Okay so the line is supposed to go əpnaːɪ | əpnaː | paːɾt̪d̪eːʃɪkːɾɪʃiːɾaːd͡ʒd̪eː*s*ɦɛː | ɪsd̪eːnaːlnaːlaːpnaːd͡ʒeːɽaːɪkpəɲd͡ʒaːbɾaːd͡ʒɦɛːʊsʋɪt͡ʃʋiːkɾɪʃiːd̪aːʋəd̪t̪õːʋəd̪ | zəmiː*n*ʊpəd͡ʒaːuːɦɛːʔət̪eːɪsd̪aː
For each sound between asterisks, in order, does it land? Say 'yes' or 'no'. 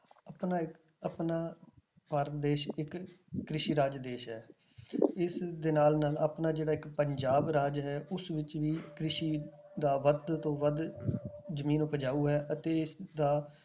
no, yes

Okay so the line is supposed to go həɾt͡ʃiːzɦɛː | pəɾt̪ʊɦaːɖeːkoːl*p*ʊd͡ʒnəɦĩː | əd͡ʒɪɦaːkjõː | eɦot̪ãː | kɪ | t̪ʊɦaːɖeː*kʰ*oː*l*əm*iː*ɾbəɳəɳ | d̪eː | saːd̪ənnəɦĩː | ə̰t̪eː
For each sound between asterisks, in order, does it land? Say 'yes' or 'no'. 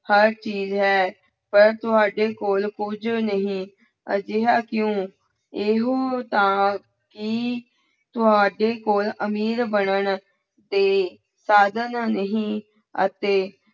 no, no, yes, yes

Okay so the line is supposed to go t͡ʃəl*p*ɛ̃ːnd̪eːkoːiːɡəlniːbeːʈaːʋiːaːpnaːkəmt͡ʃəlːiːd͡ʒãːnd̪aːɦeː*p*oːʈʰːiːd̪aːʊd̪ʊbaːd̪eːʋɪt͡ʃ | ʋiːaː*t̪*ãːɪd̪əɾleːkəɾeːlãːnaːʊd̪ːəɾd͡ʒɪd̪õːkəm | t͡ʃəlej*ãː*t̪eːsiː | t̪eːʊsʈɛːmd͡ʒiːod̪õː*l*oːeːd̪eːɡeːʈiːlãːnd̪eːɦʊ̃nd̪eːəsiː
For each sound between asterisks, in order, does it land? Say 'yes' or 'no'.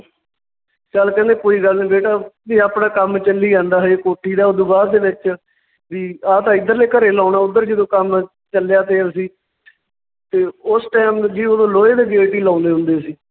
no, no, yes, no, yes

